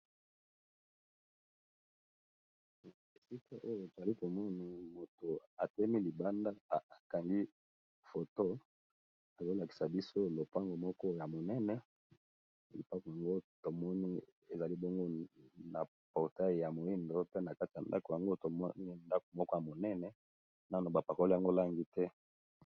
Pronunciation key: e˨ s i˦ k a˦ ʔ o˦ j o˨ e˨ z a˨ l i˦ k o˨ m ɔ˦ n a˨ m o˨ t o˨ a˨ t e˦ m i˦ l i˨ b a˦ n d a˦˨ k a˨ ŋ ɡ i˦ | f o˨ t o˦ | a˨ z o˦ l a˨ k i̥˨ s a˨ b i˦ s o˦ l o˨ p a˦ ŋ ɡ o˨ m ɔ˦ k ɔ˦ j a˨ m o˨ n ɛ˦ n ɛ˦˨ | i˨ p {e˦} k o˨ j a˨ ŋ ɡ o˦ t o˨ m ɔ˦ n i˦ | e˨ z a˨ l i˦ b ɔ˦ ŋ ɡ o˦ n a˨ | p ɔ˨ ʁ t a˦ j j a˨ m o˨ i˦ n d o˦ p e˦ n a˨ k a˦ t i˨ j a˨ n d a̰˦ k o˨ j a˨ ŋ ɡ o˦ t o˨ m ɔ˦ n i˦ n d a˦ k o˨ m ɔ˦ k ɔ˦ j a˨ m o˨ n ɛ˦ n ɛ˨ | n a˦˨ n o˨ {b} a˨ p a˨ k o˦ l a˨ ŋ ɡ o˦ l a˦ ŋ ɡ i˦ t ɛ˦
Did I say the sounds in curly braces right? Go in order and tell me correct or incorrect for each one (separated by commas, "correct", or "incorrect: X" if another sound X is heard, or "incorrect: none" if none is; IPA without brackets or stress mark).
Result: incorrect: a˦, correct